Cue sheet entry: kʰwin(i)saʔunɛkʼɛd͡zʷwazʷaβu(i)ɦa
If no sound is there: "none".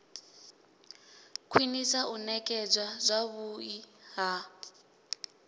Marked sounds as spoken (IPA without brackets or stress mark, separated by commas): i, i